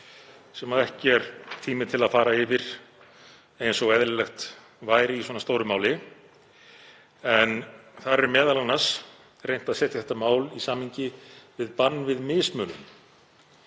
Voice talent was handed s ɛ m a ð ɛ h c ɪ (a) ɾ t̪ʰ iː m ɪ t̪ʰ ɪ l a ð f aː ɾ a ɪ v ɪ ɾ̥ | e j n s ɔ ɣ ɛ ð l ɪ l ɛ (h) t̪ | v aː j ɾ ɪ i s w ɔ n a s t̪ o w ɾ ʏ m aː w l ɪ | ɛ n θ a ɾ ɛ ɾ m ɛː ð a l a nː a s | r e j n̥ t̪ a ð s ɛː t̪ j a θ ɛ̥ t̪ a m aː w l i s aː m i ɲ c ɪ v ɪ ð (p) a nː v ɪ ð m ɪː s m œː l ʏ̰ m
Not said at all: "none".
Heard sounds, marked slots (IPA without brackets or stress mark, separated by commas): ɛ, x, p